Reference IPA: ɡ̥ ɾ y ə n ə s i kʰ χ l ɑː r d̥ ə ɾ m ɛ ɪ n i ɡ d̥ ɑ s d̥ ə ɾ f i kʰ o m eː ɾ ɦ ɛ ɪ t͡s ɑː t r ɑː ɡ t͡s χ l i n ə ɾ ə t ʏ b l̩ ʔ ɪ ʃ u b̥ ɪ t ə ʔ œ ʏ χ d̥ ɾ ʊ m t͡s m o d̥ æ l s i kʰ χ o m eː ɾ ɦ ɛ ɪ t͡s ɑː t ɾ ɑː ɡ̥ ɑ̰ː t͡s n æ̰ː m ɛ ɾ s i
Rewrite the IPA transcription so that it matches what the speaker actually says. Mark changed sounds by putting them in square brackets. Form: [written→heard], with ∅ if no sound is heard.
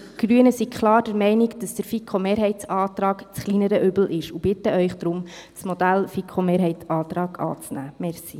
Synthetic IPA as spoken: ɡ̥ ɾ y ə n ə s i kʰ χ l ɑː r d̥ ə ɾ m ɛ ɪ n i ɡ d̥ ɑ s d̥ ə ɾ f i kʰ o m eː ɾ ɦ ɛ ɪ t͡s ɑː t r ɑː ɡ t͡s χ l i n ə ɾ ə [t→ʔ] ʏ b l̩ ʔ ɪ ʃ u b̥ ɪ t ə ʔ œ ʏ χ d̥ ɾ ʊ m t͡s m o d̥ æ l [s→f] i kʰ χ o m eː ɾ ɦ ɛ ɪ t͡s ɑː t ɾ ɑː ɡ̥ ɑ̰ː t͡s n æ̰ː m ɛ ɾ s i

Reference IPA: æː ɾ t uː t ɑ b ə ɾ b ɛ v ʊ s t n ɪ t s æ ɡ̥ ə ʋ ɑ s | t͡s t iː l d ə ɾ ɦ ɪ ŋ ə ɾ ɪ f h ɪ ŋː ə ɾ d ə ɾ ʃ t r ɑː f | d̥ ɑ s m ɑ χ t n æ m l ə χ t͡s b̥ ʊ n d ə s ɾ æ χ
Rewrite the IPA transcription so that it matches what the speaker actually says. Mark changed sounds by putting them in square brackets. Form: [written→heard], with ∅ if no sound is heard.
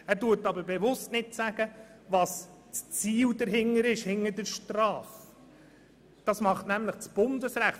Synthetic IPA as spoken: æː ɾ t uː t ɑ b ə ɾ b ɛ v ʊ s t n ɪ t s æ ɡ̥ ə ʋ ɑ s | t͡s [t→t͡s] iː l d ə ɾ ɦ ɪ ŋ ə ɾ ɪ [f→ʃ] h ɪ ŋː ə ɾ d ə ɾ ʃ t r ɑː f | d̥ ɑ s m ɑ χ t n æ m l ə χ t͡s b̥ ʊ n d ə s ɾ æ χ

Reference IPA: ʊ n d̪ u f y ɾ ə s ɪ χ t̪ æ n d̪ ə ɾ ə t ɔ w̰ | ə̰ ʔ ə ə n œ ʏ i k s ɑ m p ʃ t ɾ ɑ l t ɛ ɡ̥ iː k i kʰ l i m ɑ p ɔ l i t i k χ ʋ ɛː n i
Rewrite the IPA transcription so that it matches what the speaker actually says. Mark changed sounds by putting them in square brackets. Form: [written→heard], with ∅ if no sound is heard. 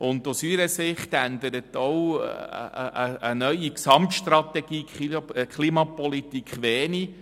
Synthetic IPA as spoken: ʊ n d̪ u [f→s] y ɾ ə s ɪ χ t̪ æ n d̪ ə ɾ ə t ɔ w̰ | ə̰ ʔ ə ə n œ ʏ i k s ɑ m [p→t] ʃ t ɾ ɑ [l→∅] t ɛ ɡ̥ iː k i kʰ l i m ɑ p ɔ l i t i k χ ʋ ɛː n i

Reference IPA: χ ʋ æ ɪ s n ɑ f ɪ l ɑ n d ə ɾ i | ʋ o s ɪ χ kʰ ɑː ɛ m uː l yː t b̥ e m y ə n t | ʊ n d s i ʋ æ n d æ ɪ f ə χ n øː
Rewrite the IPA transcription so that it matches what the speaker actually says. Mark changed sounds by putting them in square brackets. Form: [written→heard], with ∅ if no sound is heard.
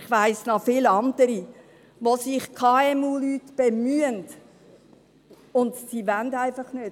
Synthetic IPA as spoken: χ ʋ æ ɪ s n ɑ f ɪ l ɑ n d ə ɾ i | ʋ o s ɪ χ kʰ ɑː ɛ m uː l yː t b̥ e m y ə n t | ʊ n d s i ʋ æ n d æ ɪ f [ə→ɑ] χ n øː

